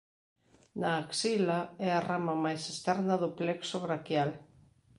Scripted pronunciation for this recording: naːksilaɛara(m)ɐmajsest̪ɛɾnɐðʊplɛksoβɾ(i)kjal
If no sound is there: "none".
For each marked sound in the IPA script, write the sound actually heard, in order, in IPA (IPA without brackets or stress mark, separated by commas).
m, a